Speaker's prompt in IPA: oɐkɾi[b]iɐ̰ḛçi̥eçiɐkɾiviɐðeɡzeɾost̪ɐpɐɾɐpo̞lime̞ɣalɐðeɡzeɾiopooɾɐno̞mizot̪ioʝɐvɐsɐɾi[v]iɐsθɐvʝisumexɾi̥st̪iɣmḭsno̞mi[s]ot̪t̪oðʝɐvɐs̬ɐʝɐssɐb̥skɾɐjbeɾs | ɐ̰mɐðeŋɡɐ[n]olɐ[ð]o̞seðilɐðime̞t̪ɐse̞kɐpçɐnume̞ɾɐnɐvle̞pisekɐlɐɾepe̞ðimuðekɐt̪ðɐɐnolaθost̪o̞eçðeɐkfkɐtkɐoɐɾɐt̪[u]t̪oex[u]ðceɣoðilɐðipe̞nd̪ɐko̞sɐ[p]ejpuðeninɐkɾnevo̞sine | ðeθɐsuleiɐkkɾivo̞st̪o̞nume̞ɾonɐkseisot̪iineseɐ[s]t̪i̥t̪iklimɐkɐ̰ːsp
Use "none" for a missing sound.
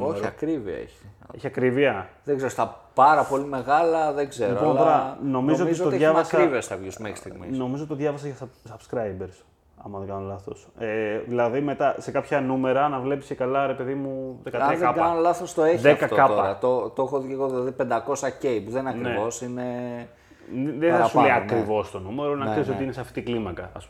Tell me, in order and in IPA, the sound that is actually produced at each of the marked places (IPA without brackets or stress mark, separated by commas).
v, v, z, n, θ, o, o, c, f